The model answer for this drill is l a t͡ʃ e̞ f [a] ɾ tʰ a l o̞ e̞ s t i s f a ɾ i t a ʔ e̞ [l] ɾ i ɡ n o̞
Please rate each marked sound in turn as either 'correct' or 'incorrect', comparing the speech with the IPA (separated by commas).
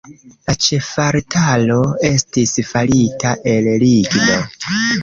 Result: correct, correct